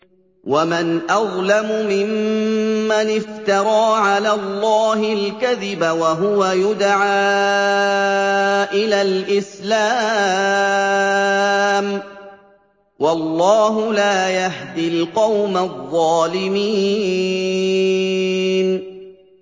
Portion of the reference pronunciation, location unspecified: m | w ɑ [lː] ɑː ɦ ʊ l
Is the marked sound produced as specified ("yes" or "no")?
yes